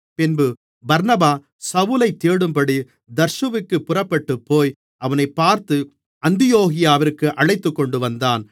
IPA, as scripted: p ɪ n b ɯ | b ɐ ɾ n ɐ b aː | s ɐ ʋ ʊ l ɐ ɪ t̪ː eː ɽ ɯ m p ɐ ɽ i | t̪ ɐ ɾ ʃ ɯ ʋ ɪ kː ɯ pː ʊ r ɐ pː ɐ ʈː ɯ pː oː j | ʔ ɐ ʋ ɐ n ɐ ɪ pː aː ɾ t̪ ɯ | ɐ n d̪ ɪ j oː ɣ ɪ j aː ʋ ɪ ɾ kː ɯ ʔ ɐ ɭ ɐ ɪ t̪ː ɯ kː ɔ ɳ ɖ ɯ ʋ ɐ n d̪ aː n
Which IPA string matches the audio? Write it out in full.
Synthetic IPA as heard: p ɪ n b ɯ | b ɐ ɾ n ɐ b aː | s ɐ ʋ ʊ l ɐ ɪ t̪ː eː ɽ ɯ m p ɐ ɽ i | d̪ ɐ ɾ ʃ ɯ ʋ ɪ kː ɯ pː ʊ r ɐ pː ɐ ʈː ɯ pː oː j | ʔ ɐ ʋ ɐ n ɐ ɪ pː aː ɾ t̪ ɯ | ɐ n d̪ ɪ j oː ɣ ɪ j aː ʋ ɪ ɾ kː ɯ ʔ ɐ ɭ ɐ ɪ t̪ː ɯ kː ɔ ɳ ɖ ɯ ʋ ɐ n d̪ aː n